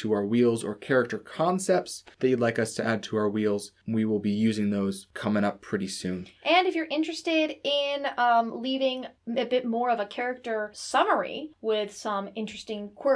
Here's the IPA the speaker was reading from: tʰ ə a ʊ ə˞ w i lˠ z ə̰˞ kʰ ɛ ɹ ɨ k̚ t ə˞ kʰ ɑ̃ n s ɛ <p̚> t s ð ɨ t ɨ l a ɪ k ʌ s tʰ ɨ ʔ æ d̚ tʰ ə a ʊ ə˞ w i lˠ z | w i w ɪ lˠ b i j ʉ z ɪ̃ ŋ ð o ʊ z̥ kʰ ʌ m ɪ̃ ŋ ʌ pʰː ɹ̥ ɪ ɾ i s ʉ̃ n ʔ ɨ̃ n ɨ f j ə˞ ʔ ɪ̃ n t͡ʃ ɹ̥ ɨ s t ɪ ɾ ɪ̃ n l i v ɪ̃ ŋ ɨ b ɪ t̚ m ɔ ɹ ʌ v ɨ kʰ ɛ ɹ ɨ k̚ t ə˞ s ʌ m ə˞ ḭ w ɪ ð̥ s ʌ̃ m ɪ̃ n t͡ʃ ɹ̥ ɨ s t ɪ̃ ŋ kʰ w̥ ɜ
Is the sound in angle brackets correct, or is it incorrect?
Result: correct